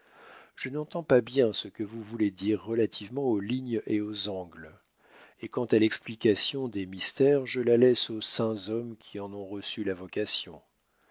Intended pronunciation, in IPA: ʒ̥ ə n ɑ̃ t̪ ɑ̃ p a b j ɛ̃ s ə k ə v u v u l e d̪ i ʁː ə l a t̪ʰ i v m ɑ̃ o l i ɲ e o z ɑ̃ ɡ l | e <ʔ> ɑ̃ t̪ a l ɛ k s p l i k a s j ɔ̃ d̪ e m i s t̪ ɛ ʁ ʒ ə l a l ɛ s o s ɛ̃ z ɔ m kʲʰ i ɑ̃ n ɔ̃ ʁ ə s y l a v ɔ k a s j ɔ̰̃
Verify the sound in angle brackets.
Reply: incorrect: k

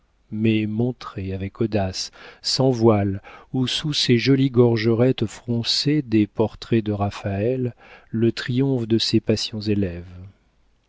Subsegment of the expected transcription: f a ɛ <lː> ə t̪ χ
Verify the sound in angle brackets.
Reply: correct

